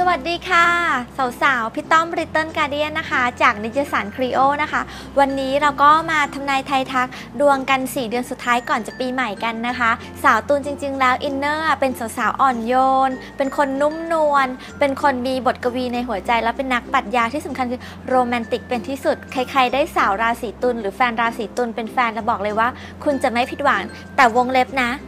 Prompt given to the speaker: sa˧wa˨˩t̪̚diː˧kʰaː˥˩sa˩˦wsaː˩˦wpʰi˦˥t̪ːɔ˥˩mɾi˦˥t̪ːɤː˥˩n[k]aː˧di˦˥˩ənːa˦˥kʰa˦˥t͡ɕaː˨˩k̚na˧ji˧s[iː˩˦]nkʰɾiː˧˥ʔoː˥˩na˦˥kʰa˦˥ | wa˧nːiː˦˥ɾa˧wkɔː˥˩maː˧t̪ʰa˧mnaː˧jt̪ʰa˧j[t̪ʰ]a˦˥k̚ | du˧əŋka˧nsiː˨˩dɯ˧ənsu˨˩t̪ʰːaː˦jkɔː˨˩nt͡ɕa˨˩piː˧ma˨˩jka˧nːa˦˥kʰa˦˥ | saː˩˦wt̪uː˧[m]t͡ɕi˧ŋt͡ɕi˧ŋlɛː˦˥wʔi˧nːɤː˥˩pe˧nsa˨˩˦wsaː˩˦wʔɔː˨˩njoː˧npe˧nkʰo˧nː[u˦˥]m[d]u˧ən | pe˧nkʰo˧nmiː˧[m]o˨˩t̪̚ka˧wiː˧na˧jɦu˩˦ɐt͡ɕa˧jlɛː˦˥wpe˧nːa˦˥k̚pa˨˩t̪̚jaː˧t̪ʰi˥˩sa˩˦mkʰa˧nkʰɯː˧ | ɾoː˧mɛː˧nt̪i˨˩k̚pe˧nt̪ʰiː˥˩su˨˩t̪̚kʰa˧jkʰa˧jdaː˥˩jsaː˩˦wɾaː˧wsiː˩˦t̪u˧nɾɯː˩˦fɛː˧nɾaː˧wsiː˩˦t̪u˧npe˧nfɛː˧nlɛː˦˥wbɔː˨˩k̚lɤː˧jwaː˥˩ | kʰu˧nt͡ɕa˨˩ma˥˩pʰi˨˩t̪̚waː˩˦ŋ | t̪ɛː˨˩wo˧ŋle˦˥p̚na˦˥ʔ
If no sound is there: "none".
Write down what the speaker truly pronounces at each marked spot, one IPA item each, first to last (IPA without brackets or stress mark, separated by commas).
k, aː˩˦, t̪ʰ, n, u˦˥, n, b